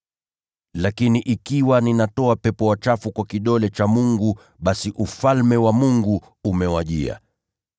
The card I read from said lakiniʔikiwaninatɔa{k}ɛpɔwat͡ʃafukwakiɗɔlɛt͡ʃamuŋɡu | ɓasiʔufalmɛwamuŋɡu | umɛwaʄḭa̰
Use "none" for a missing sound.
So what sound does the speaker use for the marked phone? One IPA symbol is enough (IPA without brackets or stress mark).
p